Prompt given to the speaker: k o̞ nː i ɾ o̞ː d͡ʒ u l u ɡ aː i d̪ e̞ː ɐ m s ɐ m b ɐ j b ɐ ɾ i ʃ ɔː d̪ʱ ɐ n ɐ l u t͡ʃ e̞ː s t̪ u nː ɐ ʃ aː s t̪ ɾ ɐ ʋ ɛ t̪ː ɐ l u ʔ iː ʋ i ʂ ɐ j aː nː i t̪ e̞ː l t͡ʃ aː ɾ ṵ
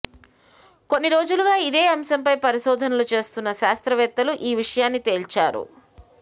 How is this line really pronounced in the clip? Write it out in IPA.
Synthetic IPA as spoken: k o̞ nː i ɾ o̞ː d͡ʒ u l u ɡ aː i d̪ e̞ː ɐ m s ɐ m p ɐ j p ɐ ɾ i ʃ ɔː d̪ʱ ɐ n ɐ l u t͡ʃ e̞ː s t̪ u nː ɐ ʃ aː s t̪ ɾ ɐ ʋ ɛ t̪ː ɐ l u ʔ iː ʋ i ʂ ɐ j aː nː i t̪ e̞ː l t͡ʃ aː ɾ ṵ